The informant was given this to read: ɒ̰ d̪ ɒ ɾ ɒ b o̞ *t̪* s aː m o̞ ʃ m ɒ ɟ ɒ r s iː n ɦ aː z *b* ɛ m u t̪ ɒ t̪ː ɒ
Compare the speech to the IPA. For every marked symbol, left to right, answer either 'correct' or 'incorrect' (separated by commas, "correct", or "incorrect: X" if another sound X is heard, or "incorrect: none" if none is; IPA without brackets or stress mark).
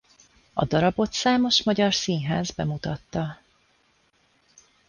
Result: correct, correct